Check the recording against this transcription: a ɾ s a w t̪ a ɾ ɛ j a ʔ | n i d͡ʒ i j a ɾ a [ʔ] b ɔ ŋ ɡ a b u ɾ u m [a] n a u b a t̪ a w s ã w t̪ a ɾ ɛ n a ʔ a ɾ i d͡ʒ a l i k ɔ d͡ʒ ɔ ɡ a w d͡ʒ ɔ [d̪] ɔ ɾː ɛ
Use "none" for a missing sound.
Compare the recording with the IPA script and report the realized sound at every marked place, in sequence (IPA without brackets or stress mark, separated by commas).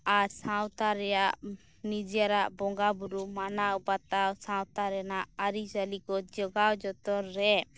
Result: ʔ, a, t̪